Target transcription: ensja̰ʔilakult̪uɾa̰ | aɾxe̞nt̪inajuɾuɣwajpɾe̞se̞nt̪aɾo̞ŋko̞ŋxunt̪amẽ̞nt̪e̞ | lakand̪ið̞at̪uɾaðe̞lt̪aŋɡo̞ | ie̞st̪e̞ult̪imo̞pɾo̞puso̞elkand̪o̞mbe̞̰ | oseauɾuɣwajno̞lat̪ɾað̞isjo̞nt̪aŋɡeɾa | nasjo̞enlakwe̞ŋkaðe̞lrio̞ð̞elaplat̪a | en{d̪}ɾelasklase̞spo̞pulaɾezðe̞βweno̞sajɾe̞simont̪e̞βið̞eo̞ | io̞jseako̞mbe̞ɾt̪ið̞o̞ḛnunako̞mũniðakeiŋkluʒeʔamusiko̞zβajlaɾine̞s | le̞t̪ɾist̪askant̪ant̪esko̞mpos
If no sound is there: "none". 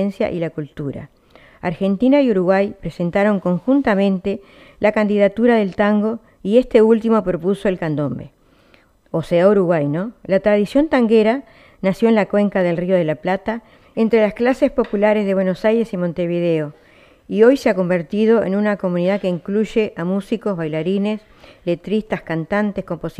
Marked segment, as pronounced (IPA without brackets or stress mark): t̪